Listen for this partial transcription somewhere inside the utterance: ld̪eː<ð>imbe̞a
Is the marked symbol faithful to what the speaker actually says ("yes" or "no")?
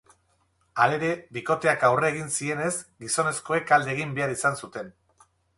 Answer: no